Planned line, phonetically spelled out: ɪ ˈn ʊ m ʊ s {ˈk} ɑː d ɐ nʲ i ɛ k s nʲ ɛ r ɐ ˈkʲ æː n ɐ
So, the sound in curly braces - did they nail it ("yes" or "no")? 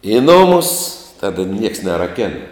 no